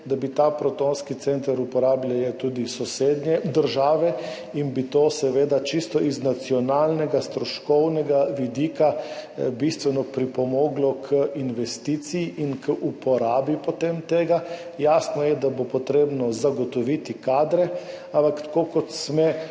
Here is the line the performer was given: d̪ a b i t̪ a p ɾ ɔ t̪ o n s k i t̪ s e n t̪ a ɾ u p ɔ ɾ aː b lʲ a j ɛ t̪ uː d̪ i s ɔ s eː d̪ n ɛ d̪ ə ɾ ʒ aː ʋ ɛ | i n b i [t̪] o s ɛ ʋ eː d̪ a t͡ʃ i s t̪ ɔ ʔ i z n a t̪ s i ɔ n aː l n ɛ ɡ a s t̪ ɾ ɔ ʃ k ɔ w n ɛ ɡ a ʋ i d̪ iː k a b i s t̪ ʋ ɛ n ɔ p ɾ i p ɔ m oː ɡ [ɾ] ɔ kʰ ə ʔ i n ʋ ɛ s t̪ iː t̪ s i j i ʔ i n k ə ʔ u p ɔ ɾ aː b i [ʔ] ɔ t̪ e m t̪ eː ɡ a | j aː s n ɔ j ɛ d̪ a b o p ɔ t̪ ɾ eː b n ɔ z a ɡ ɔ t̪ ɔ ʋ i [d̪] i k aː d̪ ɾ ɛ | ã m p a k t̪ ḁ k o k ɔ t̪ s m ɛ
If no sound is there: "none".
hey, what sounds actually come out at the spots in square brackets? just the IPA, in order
t̪, l, p, t̪

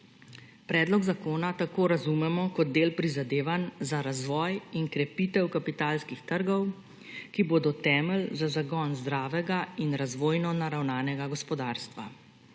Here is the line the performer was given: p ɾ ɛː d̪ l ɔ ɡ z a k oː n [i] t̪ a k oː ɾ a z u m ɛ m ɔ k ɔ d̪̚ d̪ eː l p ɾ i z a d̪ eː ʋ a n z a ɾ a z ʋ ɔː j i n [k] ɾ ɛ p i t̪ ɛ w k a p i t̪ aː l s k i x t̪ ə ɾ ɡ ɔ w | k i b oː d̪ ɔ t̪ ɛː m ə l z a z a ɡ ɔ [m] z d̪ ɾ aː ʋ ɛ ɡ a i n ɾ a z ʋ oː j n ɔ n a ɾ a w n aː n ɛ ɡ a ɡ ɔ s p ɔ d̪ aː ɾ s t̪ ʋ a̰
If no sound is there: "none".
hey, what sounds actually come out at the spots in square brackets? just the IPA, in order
a, k, n

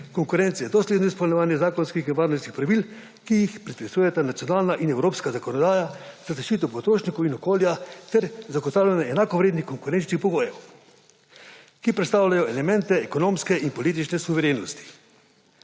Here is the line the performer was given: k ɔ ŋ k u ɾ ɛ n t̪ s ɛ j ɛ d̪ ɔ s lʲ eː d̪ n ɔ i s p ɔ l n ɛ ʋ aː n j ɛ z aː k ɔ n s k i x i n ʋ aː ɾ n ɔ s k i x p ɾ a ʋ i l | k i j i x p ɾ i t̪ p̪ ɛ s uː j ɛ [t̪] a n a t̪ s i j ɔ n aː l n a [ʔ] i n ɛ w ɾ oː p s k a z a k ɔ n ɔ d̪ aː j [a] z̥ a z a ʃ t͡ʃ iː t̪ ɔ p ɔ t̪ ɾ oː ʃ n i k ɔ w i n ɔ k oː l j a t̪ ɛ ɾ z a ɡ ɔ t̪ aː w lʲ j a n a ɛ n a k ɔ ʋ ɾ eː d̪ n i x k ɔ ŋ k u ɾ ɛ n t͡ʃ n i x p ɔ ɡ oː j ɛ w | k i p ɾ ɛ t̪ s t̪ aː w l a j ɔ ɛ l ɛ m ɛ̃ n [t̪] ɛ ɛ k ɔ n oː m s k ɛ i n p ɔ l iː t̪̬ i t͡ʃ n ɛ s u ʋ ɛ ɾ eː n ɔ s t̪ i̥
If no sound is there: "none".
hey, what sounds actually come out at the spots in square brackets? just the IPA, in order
t̪, ʔ, a, t̪

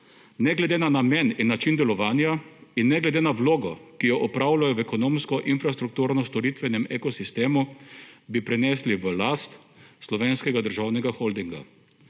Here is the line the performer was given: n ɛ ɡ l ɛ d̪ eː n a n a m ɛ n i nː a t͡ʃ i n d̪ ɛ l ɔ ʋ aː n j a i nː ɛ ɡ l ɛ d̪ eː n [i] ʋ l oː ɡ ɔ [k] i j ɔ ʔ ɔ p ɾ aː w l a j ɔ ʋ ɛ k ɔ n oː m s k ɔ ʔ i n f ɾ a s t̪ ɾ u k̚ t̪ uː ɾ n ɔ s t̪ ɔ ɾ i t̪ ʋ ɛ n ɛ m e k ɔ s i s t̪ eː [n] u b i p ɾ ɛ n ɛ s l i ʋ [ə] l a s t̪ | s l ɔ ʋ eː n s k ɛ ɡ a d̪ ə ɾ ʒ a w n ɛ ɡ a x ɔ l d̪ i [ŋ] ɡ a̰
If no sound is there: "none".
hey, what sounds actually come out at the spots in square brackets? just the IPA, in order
a, k, m, ə, ŋ

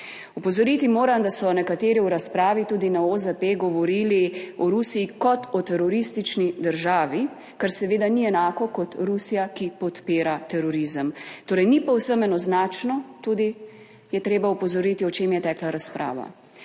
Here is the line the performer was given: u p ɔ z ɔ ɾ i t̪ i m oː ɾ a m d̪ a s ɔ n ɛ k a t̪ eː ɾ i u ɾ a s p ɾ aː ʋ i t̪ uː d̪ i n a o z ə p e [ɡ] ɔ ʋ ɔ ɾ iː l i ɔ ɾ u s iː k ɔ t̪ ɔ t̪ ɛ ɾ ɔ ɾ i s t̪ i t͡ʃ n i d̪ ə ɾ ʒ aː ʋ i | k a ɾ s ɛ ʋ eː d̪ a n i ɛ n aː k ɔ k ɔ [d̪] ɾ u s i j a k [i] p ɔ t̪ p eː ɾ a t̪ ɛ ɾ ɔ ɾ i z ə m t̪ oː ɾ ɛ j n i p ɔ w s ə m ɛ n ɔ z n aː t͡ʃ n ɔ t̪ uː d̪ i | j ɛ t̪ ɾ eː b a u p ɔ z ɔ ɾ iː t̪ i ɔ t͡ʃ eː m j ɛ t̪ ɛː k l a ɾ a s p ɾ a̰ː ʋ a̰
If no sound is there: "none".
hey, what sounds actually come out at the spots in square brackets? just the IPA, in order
ɡ, t̪, i

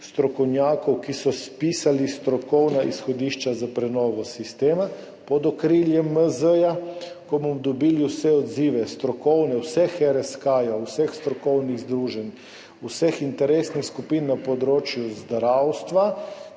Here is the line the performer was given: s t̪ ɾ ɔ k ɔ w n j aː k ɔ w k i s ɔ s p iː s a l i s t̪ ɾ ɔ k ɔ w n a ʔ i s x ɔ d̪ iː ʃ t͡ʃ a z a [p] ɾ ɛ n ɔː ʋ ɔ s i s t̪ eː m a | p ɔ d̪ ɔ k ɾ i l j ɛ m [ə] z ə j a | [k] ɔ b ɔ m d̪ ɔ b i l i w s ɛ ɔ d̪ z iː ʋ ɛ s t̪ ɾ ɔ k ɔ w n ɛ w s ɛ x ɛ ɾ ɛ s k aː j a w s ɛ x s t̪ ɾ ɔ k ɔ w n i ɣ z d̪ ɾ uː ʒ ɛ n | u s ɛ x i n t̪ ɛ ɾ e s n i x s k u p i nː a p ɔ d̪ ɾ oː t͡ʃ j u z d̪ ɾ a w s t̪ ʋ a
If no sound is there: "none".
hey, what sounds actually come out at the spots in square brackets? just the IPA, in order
p, ə, k

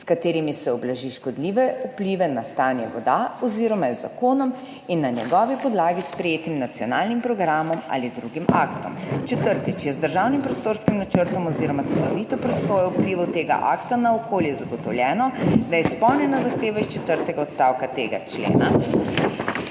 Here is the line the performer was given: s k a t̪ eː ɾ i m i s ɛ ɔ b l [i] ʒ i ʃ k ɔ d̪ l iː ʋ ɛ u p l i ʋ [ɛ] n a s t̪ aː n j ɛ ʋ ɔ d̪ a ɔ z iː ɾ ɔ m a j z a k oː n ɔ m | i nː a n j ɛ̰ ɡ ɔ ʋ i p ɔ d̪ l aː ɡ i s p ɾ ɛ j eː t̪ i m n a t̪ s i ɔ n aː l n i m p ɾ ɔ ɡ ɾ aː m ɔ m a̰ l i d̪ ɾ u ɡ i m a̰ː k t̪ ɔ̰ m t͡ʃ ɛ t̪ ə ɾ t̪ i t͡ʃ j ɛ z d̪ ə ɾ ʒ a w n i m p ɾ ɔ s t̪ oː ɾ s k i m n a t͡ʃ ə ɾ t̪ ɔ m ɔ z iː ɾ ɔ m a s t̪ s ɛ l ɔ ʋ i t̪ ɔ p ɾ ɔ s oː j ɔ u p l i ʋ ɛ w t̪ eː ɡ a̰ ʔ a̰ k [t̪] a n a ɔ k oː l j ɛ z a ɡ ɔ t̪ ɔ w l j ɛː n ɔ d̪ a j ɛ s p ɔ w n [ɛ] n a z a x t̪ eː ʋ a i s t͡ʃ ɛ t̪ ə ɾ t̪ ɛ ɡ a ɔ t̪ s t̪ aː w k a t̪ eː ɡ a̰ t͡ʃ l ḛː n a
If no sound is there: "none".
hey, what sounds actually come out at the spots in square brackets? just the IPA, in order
a, ɛ, t̪, ɛ

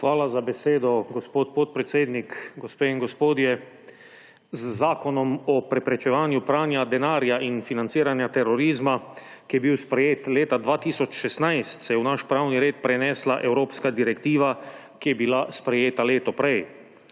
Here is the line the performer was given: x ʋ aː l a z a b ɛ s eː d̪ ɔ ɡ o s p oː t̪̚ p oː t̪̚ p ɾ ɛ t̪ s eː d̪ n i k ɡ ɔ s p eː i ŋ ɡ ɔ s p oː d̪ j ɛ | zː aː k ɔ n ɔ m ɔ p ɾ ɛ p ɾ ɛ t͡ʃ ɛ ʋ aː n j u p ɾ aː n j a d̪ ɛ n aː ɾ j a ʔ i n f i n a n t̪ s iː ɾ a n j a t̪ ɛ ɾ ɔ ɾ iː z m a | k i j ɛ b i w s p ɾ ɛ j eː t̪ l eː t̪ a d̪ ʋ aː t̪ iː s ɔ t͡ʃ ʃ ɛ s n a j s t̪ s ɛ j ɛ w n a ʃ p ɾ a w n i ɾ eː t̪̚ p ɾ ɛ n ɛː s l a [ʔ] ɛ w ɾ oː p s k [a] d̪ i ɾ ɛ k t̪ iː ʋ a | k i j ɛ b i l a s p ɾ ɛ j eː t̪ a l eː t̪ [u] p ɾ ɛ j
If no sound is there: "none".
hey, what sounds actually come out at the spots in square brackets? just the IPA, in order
ʔ, a, ɔ

